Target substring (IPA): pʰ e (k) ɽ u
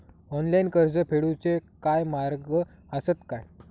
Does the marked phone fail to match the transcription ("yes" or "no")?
yes